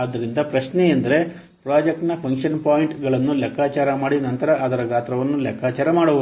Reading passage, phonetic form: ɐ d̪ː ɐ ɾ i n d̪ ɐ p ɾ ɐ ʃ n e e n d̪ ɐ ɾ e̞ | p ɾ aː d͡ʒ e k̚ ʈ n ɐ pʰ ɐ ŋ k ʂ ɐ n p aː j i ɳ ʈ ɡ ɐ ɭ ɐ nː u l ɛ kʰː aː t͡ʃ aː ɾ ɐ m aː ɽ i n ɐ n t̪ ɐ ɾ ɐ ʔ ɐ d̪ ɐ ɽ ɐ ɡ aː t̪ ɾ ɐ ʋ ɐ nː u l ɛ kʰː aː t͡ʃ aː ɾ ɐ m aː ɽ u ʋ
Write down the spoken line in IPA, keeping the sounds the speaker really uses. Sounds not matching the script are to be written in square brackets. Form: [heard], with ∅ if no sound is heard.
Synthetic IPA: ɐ d̪ː ɐ ɾ i n d̪ ɐ p ɾ ɐ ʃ n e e n d̪ ɐ ɾ e̞ | p ɾ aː d͡ʒ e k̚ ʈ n ɐ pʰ ɐ ŋ k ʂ ɐ n p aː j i ɳ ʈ ɡ ɐ ɭ ɐ nː u l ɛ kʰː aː t͡ʃ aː ɾ ɐ m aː ɽ i n ɐ n t̪ ɐ ɾ ɐ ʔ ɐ d̪ ɐ [ɾ] ɐ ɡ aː t̪ ɾ ɐ ʋ ɐ nː u l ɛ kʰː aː t͡ʃ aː ɾ ɐ m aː ɽ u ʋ